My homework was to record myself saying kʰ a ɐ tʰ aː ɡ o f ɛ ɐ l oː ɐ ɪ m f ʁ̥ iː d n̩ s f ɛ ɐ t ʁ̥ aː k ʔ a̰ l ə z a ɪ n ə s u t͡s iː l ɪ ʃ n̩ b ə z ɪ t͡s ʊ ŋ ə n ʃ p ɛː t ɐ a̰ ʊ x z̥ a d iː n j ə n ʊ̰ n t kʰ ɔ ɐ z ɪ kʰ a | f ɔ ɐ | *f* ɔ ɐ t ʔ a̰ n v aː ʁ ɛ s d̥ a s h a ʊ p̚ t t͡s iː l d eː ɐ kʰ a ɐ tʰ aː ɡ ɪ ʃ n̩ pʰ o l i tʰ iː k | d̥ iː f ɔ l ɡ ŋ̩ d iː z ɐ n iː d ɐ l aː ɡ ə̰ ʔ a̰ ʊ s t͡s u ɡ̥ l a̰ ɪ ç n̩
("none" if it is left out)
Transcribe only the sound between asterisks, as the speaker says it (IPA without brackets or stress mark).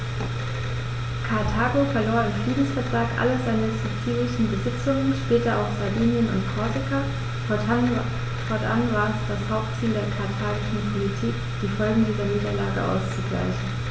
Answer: f